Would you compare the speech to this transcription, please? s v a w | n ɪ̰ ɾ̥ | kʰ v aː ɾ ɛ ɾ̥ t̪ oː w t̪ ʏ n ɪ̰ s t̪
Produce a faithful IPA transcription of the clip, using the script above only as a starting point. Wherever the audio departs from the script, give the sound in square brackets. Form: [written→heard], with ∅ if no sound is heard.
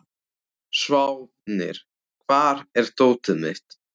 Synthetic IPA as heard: s v a w | n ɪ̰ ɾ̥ | kʰ v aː ɾ ɛ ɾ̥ t̪ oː w t̪ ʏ [n→m] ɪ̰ [s→h] t̪